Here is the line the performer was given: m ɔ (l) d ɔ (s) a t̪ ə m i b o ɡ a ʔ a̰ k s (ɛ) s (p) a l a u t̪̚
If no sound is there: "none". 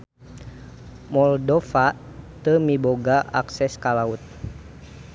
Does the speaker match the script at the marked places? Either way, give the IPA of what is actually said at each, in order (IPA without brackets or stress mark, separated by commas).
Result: l, f, ɛ, k